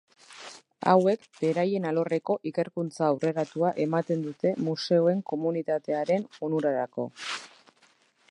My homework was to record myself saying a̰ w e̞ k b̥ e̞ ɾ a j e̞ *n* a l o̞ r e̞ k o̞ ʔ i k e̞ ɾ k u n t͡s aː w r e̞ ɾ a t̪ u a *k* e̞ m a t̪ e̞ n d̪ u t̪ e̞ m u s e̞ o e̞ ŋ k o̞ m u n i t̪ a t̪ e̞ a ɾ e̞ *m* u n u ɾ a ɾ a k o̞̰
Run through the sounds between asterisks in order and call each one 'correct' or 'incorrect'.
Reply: correct, incorrect: ʔ, incorrect: n

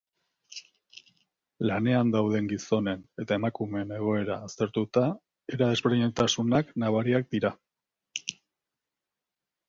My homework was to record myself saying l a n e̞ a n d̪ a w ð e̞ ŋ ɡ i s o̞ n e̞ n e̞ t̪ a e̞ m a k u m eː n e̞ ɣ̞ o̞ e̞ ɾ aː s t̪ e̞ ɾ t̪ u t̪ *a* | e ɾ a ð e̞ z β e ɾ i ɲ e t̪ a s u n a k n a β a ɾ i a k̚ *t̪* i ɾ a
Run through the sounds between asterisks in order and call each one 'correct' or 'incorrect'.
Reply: correct, incorrect: d̪

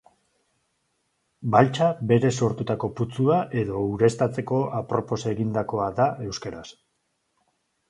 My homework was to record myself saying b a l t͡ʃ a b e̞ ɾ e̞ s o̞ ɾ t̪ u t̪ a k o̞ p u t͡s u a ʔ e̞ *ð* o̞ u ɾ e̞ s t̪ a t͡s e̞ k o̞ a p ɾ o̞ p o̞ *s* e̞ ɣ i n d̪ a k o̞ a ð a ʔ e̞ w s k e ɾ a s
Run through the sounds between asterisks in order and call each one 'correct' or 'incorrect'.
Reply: correct, correct

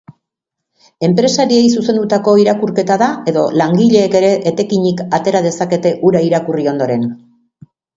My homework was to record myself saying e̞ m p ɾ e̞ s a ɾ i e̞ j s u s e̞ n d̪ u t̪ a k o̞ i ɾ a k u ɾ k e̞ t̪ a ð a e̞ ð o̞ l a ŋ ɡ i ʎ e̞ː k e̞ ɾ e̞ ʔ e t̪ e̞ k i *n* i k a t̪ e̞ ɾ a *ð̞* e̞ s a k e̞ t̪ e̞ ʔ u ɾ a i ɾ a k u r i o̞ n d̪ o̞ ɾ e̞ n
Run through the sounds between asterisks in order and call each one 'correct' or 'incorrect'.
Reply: incorrect: ɲ, correct

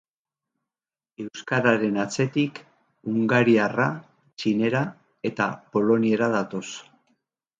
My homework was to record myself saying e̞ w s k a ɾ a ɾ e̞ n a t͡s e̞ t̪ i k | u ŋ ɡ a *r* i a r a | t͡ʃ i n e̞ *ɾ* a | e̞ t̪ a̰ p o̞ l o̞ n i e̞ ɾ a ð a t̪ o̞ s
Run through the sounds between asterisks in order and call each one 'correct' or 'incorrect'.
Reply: incorrect: ɾ, correct

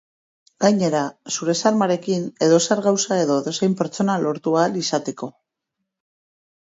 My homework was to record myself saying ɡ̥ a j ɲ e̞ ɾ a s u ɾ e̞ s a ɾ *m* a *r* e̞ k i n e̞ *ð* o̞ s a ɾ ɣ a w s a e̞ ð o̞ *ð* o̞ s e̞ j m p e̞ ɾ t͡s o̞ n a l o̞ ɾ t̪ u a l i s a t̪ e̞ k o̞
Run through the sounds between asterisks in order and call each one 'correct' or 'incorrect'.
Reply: correct, incorrect: ɾ, correct, correct

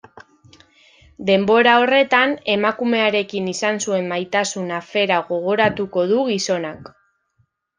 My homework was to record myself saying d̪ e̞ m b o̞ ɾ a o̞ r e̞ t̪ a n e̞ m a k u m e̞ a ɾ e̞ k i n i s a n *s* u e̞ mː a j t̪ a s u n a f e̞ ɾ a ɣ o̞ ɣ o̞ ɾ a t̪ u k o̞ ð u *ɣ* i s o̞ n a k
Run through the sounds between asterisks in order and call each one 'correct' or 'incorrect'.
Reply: correct, correct

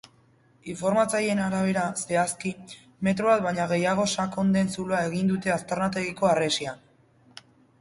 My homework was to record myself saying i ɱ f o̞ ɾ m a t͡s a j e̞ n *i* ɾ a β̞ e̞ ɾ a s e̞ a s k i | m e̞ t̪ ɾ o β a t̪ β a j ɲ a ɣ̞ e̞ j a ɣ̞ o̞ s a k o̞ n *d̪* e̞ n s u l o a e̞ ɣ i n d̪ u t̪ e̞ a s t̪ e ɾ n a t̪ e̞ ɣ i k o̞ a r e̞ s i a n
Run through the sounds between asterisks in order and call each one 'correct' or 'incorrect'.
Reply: incorrect: a, correct

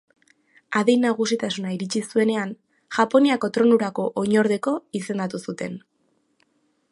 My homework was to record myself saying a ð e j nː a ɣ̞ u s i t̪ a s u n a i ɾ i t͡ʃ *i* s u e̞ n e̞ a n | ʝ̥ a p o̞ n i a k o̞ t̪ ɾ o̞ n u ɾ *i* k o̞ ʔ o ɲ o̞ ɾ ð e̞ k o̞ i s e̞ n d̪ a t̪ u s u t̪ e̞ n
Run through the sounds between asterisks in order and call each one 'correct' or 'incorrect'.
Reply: correct, incorrect: a

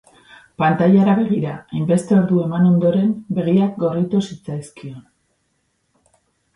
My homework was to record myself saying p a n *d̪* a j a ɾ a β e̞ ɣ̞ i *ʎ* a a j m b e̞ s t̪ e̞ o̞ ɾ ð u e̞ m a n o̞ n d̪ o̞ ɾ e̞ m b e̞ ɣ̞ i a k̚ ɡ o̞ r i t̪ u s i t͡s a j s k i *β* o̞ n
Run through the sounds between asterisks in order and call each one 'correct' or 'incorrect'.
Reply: incorrect: t̪, incorrect: ɾ, incorrect: none

